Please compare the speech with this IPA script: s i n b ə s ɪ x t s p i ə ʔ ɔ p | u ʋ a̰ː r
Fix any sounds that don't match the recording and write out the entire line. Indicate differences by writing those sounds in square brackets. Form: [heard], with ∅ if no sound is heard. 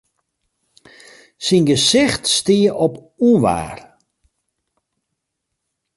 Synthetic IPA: s i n [ɡ] ə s ɪ x t s [t] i ə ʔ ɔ p | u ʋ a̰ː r